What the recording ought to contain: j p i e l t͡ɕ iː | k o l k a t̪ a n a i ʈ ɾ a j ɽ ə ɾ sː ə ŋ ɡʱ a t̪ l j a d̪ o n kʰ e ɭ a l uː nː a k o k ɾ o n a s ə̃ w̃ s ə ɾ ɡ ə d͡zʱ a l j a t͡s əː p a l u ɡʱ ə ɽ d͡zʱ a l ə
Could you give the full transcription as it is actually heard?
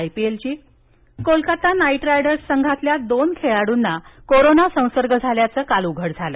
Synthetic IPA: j p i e l t͡ɕ iː | k o l k a t̪ a n a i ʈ ɾ a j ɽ ə ɾ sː ə ŋ ɡʱ a t̪ l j a d̪ o n kʰ e ɭ a ɽ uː nː a k o ɾ o n a s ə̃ w̃ s ə ɾ ɡ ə d͡zʱ a l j a t͡s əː k a l u ɡʱ ə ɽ d͡zʱ a l ə